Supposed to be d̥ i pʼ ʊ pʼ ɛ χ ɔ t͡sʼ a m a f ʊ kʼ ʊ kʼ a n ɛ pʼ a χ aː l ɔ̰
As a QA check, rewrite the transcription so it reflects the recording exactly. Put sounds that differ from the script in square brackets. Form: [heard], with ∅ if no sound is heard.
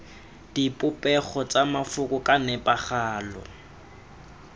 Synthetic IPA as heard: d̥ i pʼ ʊ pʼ ɛ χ ɔ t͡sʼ a m a f ʊ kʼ ʊ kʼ a n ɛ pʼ a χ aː l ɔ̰